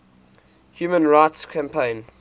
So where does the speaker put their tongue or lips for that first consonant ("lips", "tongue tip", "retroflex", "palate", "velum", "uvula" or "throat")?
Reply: throat